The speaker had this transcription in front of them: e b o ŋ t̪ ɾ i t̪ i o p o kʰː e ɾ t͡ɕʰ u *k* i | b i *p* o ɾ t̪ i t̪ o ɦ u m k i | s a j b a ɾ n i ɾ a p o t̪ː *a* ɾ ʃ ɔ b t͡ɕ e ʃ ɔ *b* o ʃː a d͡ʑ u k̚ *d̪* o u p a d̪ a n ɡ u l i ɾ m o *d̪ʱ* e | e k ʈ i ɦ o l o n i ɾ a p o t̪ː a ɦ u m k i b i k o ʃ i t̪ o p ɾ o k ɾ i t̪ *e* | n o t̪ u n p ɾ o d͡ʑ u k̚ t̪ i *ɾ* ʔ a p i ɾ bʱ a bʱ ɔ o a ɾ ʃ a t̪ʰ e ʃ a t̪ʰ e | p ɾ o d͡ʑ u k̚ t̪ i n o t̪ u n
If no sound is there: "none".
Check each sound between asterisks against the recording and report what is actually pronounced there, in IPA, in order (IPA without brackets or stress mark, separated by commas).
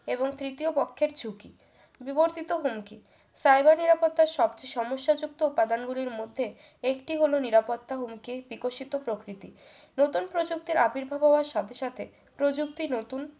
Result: k, b, a, m, t̪, d̪ʱː, i, ɾ